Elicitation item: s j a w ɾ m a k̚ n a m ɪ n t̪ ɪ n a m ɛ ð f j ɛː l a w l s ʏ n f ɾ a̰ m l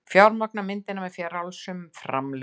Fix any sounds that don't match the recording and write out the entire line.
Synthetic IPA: f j a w ɾ m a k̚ n a m ɪ n t̪ ɪ n a m ɛ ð f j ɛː ɾ a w l s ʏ m f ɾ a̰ m l